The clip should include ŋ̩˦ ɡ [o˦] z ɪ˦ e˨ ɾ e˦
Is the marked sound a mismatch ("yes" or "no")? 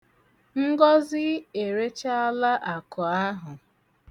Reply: yes